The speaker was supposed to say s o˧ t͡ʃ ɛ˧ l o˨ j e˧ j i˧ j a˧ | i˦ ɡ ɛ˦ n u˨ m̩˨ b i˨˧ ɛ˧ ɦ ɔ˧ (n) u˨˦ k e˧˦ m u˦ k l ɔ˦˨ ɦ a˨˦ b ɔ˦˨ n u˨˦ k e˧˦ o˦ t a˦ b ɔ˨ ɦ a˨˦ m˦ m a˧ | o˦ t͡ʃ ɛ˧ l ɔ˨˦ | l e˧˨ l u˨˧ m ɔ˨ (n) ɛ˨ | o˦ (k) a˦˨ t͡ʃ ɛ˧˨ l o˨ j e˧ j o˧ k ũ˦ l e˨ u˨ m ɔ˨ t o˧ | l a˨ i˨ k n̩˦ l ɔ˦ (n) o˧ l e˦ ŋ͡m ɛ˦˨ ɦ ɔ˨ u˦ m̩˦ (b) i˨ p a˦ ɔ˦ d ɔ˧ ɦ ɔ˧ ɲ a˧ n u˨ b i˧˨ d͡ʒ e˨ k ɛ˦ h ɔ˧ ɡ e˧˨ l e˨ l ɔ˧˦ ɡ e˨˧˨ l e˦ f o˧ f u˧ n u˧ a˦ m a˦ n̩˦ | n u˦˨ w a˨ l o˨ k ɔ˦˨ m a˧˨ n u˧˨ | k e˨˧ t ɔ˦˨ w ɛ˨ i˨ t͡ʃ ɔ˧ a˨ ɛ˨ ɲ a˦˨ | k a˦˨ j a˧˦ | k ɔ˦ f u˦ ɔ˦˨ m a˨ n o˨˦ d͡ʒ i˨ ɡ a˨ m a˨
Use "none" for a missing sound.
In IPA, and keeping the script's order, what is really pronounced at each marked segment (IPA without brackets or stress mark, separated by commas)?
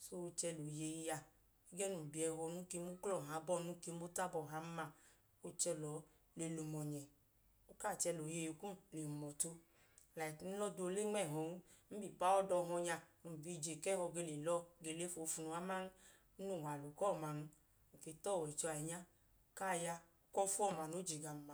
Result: n, ɲ, k, d, b